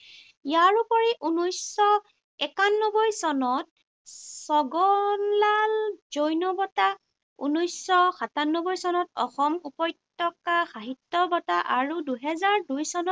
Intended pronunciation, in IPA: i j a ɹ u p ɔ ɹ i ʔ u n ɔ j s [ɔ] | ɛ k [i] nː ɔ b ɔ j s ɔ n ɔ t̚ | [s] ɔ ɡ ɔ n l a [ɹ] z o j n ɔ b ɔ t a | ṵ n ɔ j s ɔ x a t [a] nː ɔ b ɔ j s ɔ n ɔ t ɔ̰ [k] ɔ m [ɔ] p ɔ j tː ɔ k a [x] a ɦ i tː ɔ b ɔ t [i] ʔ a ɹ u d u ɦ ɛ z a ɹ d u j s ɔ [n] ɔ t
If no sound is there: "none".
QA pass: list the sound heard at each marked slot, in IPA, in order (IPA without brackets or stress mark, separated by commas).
ɔ, a, s, l, a, x, u, x, a, n